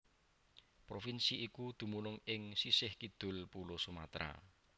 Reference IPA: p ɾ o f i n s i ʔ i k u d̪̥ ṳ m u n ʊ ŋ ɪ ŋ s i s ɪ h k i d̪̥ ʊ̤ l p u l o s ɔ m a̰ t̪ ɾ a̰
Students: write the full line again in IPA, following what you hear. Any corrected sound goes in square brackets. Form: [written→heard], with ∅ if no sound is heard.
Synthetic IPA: p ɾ o f i n s i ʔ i k u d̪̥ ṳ m u n ʊ ŋ ɪ ŋ s i s ɪ h k i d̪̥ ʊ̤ l p u l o s [ɔ→u] m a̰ t̪ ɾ a̰